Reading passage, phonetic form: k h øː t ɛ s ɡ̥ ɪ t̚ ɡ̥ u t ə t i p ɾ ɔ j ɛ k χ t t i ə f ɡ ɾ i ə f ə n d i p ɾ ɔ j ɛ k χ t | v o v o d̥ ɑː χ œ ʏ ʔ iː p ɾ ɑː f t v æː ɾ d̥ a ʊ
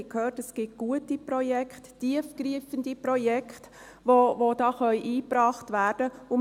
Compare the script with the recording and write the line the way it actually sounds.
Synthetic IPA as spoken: k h øː t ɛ s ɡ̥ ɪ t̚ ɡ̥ u ə t i p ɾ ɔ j ɛ k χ t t i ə f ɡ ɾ i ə f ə n d i p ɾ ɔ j ɛ k χ t | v o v o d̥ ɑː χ œ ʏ ʔ iː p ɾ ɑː χ t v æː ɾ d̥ ə ʊ

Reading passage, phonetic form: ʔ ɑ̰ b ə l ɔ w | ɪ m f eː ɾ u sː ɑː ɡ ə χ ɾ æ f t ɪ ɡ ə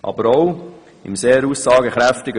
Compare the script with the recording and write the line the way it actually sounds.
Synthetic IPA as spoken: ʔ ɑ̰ b ə ɾ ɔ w | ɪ m s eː ɾ u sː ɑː ɡ ə χ ɾ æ f t ɪ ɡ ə

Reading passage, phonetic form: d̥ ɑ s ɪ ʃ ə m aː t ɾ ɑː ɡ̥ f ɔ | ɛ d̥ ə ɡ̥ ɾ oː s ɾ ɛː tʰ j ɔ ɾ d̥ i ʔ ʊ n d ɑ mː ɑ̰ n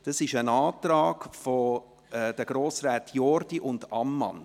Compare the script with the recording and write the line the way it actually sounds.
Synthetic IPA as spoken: d̥ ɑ s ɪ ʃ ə n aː t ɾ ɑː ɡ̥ f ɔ | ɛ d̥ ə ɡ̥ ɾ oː s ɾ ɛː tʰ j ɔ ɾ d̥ i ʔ ʊ n d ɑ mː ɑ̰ n

